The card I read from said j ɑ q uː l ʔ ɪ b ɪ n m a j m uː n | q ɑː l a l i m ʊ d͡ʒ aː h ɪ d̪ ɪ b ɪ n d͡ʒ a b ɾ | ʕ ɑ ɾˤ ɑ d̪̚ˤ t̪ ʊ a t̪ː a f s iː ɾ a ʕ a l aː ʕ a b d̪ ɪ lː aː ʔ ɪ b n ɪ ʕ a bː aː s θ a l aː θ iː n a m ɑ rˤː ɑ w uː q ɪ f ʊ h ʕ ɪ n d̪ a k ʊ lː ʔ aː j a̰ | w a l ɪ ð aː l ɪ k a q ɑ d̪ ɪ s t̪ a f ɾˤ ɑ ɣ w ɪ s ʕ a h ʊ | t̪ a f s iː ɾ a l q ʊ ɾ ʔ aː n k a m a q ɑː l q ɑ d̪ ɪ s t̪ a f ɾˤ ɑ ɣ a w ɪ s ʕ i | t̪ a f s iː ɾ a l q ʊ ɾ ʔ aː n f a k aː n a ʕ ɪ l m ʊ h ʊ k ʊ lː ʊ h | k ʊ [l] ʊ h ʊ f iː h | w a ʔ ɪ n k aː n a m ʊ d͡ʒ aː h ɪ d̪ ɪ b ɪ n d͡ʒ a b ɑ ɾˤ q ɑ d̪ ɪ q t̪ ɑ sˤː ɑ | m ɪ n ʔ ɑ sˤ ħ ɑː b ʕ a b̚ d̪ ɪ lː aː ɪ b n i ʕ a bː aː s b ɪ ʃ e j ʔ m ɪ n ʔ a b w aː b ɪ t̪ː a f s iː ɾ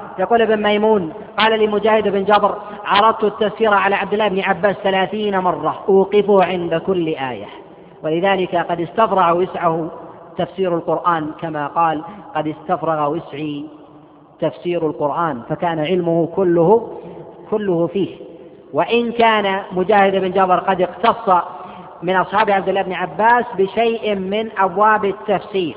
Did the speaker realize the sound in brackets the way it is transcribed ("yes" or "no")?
no